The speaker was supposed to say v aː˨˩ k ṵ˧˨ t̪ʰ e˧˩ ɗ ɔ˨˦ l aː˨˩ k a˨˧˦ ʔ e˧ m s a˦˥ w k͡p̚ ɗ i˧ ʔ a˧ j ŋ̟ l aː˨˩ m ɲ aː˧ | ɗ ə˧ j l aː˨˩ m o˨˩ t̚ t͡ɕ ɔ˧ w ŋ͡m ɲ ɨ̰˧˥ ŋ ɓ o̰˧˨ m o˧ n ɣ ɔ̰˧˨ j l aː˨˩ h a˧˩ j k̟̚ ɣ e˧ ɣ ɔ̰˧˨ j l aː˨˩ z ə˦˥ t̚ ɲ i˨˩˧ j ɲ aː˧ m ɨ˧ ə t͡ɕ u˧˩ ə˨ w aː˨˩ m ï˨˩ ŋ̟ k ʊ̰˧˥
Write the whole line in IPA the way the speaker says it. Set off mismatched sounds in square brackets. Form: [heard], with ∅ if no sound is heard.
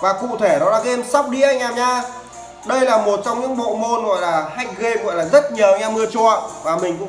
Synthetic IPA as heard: v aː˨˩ k ṵ˧˨ t̪ʰ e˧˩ ɗ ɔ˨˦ l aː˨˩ k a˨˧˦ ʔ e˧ m s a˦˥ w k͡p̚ ɗ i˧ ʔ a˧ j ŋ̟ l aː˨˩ m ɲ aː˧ | ɗ ə˧ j l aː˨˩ m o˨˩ t̚ t͡ɕ ɔ˧ w ŋ͡m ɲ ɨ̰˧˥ ŋ ɓ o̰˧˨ m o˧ n ɣ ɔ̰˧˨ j l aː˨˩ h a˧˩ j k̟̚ ɣ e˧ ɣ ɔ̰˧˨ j l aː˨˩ z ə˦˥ t̚ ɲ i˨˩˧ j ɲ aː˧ m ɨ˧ ə t͡ɕ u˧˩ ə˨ [v] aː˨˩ m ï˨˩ ŋ̟ k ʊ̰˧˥